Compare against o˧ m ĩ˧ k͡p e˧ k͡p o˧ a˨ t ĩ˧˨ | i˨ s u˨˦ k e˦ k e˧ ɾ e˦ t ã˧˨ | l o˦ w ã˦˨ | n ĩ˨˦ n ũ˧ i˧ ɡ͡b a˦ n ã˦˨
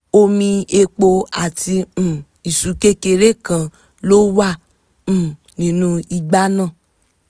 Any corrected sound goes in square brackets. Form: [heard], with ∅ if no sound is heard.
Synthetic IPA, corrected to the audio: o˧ m ĩ˧ [∅] e˧ k͡p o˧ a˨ t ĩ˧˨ | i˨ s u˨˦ k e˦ k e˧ ɾ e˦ [k] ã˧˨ | l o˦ w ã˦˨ | n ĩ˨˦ n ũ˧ i˧ ɡ͡b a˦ n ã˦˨